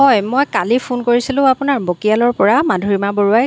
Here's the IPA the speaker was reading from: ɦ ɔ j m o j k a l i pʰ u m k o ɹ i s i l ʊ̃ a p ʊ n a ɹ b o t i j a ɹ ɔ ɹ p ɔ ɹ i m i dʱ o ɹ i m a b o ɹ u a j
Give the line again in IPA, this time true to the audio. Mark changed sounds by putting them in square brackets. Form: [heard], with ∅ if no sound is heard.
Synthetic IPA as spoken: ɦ ɔ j m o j k a l i pʰ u [n] k o ɹ i s i l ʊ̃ a p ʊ n a ɹ b o [k] i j a [l] ɔ ɹ p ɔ ɹ [a] m [a] dʱ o ɹ i m a b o ɹ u a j